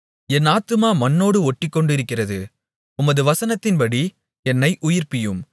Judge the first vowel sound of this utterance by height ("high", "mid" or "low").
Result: mid